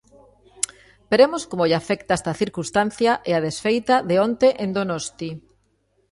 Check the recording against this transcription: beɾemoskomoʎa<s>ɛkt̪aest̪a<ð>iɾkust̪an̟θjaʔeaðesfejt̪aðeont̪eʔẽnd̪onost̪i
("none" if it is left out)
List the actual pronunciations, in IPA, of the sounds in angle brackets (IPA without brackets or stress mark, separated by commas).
f, θ